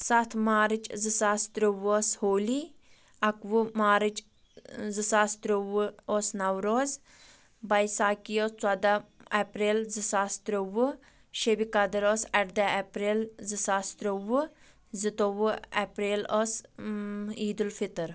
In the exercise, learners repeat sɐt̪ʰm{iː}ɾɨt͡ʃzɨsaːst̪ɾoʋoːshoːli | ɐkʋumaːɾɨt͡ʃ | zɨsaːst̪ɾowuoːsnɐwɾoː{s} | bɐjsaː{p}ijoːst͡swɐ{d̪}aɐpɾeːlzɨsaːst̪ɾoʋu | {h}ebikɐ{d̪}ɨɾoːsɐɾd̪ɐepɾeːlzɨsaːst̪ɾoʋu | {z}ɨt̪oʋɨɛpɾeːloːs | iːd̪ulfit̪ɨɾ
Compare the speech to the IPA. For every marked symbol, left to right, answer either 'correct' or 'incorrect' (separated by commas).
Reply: incorrect, incorrect, incorrect, correct, incorrect, correct, correct